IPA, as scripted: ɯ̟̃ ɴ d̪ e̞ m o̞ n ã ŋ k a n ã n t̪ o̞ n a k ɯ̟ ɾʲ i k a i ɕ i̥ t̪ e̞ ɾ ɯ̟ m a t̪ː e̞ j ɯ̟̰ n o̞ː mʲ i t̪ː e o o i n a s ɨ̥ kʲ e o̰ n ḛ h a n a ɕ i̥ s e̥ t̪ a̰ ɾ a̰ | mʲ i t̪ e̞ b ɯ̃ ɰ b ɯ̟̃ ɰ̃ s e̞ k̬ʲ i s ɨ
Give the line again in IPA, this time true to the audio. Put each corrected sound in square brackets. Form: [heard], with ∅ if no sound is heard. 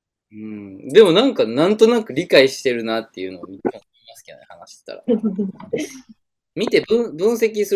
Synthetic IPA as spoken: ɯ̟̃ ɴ d̪ e̞ m o̞ n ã ŋ k a n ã n t̪ o̞ n a k ɯ̟ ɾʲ i k a i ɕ i̥ t̪ e̞ ɾ ɯ̟ [n] a t̪ː e̞ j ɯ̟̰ n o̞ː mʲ i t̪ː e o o i [m] a s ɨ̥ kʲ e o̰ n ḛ h a n a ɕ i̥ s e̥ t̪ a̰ ɾ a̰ | mʲ i t̪ e̞ b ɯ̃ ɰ b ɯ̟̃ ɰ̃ s e̞ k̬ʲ i s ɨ